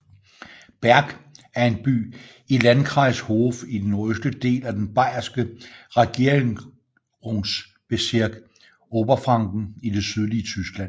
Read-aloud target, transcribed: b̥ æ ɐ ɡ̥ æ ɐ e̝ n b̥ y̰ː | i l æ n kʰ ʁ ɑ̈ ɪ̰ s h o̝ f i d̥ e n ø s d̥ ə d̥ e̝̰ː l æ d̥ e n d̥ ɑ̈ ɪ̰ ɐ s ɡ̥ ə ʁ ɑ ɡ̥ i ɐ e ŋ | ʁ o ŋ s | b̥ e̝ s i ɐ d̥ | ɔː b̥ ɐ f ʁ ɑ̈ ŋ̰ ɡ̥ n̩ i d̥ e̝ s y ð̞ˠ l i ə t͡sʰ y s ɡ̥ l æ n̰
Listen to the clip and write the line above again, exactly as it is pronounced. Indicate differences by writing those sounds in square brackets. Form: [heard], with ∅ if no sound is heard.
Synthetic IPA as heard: b̥ æ ɐ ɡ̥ æ ɐ e̝ n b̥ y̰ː | i l æ n kʰ ʁ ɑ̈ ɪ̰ s h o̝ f i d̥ e n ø s d̥ ə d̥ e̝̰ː l æ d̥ e n [b̥] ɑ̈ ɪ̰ ɐ s ɡ̥ ə ʁ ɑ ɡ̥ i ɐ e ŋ | ʁ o ŋ s | b̥ e̝ s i ɐ [ɡ̥] | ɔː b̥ ɐ f ʁ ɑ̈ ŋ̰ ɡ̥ n̩ i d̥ e̝ s y ð̞ˠ l i ə t͡sʰ y s ɡ̥ l æ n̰

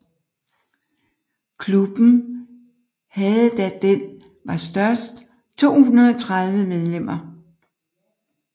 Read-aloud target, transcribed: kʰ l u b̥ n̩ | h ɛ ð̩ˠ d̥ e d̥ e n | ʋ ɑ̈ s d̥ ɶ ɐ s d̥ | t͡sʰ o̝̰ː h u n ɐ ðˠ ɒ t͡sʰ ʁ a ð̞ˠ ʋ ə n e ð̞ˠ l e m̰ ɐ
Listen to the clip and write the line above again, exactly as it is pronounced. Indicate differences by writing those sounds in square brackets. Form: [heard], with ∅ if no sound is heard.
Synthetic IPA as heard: kʰ l u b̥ n̩ | h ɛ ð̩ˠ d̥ [æ] d̥ e n | ʋ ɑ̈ s d̥ ɶ ɐ s d̥ | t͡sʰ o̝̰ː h u n ɐ ðˠ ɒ t͡sʰ ʁ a ð̞ˠ ʋ ə [m] e ð̞ˠ l e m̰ ɐ

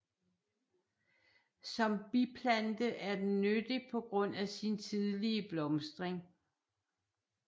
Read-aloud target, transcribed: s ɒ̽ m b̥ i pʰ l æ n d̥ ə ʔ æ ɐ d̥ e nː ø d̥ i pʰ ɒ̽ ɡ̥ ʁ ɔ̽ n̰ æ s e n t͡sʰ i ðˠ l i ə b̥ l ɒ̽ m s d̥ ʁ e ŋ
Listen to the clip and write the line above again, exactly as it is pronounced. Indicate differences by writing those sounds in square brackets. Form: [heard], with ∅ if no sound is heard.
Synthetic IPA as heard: s ɒ̽ m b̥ i pʰ l æ n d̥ ə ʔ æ ɐ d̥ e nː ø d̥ i pʰ ɒ̽ ɡ̥ ʁ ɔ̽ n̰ æ s [i] n t͡sʰ i ðˠ l i ə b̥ l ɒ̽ m s d̥ ʁ e ŋ

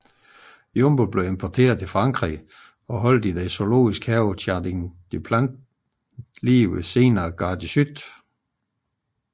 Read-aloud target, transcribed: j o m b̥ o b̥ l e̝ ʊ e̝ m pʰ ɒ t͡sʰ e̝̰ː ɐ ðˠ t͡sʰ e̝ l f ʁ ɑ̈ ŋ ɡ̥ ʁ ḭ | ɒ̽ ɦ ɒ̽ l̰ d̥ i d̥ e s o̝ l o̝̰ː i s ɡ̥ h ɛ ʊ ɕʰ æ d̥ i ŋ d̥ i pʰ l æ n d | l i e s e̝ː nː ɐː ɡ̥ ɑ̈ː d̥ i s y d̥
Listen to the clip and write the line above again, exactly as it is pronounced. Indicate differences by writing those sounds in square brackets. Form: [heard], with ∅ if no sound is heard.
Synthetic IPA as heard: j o m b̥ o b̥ l e̝ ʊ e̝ m pʰ ɒ t͡sʰ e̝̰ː ɐ ðˠ t͡sʰ e̝ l f ʁ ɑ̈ ŋ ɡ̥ ʁ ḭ | ɒ̽ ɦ ɒ̽ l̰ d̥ i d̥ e s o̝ l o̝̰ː i s ɡ̥ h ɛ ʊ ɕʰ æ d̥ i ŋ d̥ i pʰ l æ n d | l i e s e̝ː [n] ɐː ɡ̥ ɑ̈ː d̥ i s y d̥

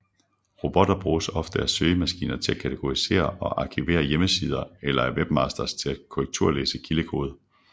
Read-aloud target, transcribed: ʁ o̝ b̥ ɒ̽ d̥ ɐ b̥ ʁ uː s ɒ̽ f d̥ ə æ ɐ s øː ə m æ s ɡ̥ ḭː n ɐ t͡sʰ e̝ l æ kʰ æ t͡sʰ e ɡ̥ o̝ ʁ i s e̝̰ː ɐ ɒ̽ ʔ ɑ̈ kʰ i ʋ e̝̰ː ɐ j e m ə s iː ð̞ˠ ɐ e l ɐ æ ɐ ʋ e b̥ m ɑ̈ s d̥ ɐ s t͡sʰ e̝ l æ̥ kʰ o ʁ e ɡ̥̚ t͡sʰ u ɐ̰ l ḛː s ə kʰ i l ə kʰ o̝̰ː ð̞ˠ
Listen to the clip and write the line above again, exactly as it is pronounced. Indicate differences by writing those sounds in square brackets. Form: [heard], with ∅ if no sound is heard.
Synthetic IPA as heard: ʁ o̝ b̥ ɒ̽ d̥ ɐ b̥ ʁ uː s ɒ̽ f d̥ ə æ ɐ s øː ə m æ s ɡ̥ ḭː n ɐ t͡sʰ e̝ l æ kʰ æ t͡sʰ e ɡ̥ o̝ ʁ i s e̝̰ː ɐ ɒ̽ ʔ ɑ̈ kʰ i ʋ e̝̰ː ɐ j e m ə s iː ð̞ˠ ɐ e l ɐ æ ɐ ʋ e b̥ m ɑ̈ s d̥ ɐ s t͡sʰ e̝ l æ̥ kʰ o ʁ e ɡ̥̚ t͡sʰ u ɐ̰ l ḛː s ə kʰ i l ə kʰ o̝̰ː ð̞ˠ

